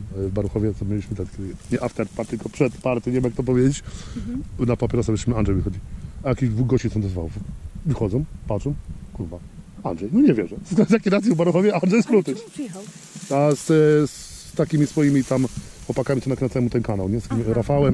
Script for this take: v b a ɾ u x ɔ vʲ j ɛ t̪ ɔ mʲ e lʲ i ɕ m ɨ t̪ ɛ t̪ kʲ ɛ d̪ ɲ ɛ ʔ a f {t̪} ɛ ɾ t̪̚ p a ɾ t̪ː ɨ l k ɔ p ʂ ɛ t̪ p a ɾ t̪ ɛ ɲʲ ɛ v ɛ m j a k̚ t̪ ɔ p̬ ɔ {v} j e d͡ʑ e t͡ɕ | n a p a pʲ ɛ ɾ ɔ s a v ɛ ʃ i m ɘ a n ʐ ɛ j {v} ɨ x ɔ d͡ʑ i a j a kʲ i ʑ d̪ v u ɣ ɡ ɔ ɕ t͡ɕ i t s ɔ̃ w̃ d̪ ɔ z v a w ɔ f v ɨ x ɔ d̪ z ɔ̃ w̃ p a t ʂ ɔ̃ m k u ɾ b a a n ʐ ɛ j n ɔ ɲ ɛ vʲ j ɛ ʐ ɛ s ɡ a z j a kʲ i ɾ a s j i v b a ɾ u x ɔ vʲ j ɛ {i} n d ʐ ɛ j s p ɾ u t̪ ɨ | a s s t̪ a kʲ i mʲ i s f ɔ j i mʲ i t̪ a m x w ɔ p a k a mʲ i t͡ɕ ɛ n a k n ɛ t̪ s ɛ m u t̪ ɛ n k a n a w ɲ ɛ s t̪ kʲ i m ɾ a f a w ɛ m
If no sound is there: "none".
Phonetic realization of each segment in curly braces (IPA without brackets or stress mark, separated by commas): t̪, v, v, a